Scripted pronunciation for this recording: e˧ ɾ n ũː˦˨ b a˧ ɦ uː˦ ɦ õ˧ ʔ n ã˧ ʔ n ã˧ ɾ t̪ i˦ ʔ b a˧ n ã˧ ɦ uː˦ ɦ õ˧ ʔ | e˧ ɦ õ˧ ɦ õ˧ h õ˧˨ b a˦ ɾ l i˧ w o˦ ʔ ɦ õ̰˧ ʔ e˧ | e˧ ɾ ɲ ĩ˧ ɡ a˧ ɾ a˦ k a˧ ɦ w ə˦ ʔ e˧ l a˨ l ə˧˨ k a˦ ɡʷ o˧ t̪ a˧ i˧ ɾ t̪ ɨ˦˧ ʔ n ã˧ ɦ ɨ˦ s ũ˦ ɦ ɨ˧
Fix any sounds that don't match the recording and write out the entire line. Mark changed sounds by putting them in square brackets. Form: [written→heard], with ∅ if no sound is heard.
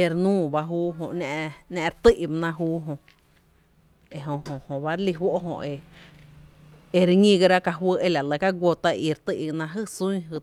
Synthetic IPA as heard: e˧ ɾ n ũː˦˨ b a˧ ɦ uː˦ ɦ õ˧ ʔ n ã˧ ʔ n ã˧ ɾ t̪ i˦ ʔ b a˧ n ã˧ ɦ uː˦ ɦ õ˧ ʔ | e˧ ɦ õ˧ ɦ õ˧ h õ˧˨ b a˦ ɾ l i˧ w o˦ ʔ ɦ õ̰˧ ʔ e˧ | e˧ ɾ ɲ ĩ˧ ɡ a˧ ɾ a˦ k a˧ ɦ w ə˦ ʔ e˧ l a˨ l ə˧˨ k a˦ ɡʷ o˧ t̪ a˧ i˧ ɾ t̪ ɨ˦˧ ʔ n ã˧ ɦ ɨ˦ s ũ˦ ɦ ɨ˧